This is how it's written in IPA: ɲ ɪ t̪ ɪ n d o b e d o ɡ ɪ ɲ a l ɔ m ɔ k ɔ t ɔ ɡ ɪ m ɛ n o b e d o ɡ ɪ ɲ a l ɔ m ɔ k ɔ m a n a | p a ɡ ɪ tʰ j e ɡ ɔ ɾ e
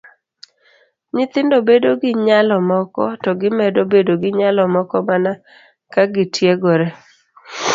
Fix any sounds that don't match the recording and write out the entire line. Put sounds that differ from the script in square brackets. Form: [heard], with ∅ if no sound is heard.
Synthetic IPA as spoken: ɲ ɪ t̪ ɪ n d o b e d o ɡ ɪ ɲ a l ɔ m ɔ k ɔ t ɔ ɡ ɪ m ɛ [d] o b e d o ɡ ɪ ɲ a l ɔ m ɔ k ɔ m a n a | [k] a ɡ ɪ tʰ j e ɡ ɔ ɾ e